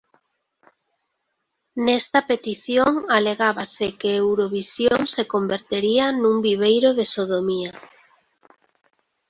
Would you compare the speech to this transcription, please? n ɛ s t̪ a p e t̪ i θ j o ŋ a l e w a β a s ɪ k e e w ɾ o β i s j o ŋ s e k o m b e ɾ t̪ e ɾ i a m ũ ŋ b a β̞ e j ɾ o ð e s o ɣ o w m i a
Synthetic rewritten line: n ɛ s t̪ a p e t̪ i θ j o ŋ a l e ɣ a β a s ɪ k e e w ɾ o β i s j o ŋ s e k o m b e ɾ t̪ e ɾ i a n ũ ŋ b i β̞ e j ɾ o ð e s o ð o m i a

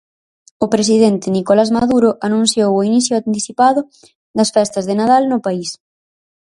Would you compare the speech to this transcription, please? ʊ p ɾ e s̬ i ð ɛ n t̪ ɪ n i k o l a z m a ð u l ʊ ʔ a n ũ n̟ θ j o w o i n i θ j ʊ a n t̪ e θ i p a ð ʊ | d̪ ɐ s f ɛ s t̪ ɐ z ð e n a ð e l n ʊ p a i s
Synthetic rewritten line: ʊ p ɾ e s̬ i ð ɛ n t̪ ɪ n i k o l a z m a ð u ɾ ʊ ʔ a n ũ n̟ θ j o w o i n i θ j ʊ a n t̪ i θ i p a ð ʊ | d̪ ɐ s f ɛ s t̪ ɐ z ð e n a ð a l n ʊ p a i s

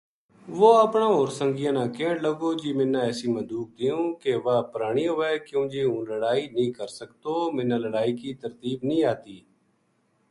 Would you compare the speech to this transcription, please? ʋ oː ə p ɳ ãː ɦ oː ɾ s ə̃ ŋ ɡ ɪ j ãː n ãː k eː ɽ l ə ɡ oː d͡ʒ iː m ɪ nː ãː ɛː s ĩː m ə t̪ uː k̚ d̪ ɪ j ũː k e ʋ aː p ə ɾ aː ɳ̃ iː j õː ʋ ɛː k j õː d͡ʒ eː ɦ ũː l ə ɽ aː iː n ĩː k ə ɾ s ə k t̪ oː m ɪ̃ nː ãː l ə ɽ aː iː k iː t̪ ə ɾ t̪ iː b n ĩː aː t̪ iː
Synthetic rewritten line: ʋ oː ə p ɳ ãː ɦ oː ɾ s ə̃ ŋ ɡ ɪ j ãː n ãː k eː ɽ l ə ɡ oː d͡ʒ iː m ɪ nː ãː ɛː s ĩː m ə d̪ uː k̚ d̪ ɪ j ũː k e ʋ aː p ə ɾ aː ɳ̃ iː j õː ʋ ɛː k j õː d͡ʒ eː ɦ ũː l ə ɽ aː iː n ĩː k ə ɾ s ə k t̪ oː m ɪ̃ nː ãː l ə ɽ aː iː k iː t̪ ə ɾ t̪ iː b n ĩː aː t̪ iː

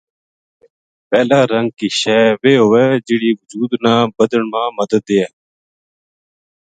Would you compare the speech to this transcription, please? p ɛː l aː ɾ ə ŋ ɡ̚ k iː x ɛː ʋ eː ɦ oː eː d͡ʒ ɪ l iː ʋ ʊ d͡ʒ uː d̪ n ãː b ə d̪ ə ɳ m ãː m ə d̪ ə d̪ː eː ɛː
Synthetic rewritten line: p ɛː l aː ɾ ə ŋ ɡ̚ k iː ʃ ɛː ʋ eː ɦ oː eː d͡ʒ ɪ ɽ iː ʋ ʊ d͡ʒ uː d̪ n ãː b ə d̪ ə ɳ m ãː m ə d̪ ə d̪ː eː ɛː

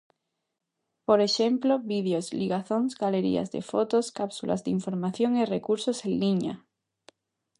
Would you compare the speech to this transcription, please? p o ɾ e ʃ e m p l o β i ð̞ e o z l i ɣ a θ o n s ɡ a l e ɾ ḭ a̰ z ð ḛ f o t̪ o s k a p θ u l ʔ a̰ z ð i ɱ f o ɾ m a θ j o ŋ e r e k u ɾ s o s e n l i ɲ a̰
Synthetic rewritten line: p o ɾ e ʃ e m p l o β i ð̞ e o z l i ɣ a θ o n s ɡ a l e ɾ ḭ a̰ z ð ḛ f o t̪ o s k a p s u l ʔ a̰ z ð i ɱ f o ɾ m a θ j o ŋ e r e k u ɾ s o s e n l i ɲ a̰

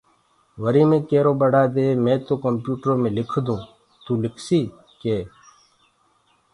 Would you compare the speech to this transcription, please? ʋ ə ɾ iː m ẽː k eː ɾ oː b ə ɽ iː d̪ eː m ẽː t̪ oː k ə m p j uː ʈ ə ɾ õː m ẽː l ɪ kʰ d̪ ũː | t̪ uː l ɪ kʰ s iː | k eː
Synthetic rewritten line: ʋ ə ɾ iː m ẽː k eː ɾ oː b ə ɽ aː d̪ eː m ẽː t̪ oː k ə m p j uː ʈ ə ɾ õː m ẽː l ɪ kʰ d̪ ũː | t̪ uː l ɪ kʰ s iː | k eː

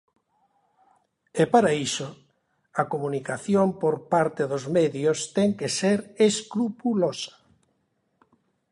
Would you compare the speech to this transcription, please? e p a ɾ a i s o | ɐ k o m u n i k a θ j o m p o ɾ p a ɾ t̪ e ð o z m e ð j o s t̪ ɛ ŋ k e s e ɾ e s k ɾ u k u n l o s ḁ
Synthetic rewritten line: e p a ɾ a i s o | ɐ k o m u n i k a θ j o m p o ɾ p a ɾ t̪ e ð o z m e ð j o s t̪ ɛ ŋ k e s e ɾ e s k ɾ u p u l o s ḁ

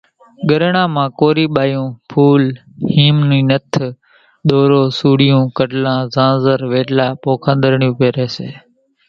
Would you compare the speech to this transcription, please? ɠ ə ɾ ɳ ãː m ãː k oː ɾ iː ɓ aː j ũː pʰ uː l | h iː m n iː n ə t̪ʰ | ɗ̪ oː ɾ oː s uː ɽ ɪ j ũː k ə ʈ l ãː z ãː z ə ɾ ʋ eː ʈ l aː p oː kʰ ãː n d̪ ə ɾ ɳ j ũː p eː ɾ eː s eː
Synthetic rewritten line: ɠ ə ɾ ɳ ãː m ãː k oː ɾ iː ɓ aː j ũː pʰ uː l | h iː m n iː n ə t̪ʰ | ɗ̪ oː ɾ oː s uː ɽ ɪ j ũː k ə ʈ l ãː z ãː z ə ɾ ʋ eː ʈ l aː p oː kʰ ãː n d̪ ə ɾ ɳ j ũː p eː ɾ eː s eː

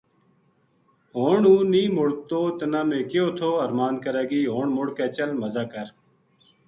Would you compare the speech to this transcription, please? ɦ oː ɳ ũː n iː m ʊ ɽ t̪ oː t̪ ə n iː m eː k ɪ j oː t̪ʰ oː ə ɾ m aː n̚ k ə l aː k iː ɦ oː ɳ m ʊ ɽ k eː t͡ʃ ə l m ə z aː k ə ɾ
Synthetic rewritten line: ɦ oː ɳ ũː n iː m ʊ ɽ t̪ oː t̪ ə n aː m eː k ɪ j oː t̪ʰ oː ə ɾ m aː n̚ k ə ɾ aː ɡ iː ɦ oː ɳ m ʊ ɽ k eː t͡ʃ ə l m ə z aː k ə ɾ

